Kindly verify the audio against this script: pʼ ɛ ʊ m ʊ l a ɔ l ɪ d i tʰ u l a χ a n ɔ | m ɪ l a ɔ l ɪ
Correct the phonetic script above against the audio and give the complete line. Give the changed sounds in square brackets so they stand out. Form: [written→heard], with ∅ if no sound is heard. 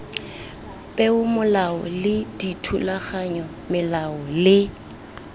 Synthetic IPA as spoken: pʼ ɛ ʊ m ʊ l a ɔ l ɪ d i tʰ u l a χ a [n→ɲ] ɔ | m ɪ l a ɔ l ɪ